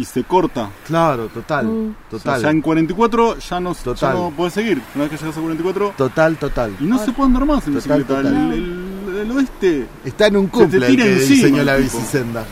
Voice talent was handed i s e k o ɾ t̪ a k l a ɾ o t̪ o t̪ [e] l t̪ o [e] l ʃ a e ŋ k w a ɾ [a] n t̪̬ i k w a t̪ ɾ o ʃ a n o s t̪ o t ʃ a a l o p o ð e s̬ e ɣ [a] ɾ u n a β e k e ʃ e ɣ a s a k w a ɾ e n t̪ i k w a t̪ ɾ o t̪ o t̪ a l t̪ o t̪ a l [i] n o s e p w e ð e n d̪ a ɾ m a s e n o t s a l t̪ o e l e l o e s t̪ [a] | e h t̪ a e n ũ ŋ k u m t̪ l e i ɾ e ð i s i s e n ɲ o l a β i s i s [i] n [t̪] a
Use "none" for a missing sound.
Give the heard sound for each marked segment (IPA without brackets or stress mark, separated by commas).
a, a, e, i, i, e, e, d̪